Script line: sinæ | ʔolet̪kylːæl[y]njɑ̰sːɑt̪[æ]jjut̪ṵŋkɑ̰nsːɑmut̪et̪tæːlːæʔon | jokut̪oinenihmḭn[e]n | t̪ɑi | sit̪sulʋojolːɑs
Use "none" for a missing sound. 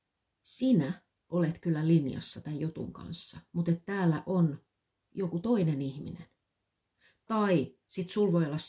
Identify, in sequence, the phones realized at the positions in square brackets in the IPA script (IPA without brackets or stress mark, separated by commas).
i, æ, e